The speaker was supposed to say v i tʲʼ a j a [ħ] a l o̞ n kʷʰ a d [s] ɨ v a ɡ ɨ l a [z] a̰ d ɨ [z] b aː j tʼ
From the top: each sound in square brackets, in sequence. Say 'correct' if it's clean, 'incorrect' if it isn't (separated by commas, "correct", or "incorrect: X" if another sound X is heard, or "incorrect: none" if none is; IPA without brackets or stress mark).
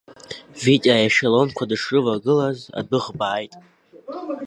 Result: incorrect: ʃ, incorrect: ʂ, correct, incorrect: ʁ